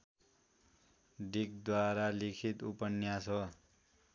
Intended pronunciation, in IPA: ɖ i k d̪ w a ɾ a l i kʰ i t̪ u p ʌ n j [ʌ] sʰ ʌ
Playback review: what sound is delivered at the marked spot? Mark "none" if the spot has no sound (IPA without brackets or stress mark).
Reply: a